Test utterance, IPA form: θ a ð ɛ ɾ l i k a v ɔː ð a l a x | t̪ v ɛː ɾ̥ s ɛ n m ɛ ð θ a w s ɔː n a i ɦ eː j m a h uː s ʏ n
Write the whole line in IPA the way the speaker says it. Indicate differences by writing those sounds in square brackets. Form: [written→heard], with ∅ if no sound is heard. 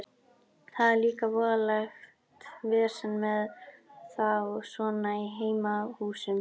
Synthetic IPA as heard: θ a ð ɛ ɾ l [i→iː] k a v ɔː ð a l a x | t̪ v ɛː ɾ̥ s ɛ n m ɛ ð θ a w s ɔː n a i ɦ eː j m a h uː s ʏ [n→m]